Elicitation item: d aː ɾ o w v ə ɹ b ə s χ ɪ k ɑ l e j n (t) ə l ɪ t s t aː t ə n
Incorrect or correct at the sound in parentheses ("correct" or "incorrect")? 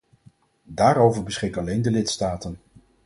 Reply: incorrect